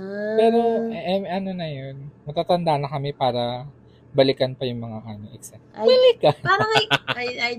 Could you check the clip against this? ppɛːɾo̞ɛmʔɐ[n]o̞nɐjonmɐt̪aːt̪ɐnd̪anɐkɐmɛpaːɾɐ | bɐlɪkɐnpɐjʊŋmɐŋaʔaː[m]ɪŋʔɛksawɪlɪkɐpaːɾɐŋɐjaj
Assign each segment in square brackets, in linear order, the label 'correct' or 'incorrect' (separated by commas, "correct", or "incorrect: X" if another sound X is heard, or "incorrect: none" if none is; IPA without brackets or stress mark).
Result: correct, correct